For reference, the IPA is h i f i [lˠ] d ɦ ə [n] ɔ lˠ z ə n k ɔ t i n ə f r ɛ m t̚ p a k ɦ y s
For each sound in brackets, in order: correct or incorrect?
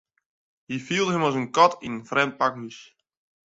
correct, incorrect

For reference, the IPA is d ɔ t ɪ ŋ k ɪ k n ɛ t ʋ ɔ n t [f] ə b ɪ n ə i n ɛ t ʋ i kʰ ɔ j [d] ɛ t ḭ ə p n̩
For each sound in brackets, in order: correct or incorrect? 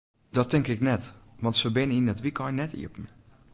incorrect, incorrect

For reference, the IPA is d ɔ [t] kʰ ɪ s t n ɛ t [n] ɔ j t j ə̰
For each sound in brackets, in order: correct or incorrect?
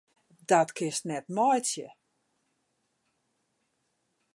correct, incorrect

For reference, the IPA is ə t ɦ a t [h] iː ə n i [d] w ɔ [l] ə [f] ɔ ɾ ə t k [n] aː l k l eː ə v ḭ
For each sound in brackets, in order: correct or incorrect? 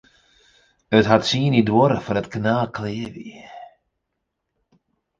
incorrect, correct, incorrect, correct, correct

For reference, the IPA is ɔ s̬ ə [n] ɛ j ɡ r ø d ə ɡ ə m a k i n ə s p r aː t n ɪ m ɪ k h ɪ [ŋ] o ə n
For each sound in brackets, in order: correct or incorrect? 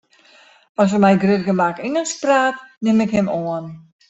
incorrect, incorrect

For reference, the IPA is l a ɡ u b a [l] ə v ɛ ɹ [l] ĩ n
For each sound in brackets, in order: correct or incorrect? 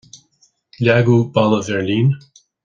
correct, correct

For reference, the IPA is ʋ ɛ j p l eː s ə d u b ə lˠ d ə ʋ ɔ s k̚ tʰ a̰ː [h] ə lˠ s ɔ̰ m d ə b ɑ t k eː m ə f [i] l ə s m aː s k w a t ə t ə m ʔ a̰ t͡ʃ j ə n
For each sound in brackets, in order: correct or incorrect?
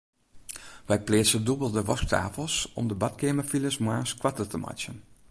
incorrect, correct

